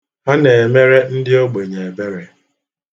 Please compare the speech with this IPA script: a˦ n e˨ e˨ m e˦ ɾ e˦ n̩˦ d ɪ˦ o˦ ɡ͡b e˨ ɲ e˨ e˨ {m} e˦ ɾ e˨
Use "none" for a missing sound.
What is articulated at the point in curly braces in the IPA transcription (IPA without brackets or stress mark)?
b